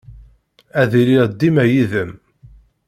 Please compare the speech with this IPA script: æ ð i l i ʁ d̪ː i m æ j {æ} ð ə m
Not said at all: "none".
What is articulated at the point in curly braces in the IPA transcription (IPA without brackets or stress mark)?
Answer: i